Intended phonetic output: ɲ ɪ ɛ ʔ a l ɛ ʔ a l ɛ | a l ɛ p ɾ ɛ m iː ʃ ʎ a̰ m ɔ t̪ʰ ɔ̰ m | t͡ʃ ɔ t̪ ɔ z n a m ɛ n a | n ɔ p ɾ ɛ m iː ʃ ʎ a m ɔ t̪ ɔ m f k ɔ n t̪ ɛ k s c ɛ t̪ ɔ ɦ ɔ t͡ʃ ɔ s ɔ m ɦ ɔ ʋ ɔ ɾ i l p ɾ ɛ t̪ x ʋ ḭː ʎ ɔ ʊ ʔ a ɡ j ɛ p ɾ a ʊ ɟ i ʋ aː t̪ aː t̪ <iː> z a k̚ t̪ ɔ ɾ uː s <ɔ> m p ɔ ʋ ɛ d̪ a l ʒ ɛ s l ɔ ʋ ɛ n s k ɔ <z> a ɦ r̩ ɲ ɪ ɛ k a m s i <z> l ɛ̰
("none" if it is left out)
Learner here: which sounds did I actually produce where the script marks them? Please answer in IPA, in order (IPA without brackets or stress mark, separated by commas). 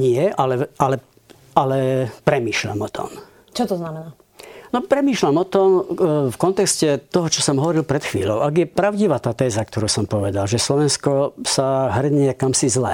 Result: ɛː, ɔ, s, z